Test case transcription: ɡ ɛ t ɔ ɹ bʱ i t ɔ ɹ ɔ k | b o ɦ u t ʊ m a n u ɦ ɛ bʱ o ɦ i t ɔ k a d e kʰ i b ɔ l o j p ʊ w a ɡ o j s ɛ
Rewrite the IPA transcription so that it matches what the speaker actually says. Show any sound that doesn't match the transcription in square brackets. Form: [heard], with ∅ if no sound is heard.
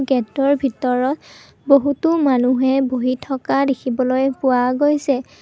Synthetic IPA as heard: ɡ ɛ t ɔ ɹ bʱ i t ɔ ɹ ɔ [t] | b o ɦ u t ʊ m a n u ɦ ɛ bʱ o ɦ i [tʰ] ɔ k a d e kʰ i b ɔ l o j p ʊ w a ɡ o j s ɛ